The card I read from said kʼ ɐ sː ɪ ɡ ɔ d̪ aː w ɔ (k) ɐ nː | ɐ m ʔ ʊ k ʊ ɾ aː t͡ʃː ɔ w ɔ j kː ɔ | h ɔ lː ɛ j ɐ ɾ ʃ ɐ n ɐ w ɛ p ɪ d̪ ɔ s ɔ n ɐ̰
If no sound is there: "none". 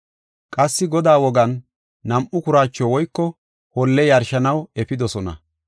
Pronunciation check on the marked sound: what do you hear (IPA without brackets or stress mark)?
ɡ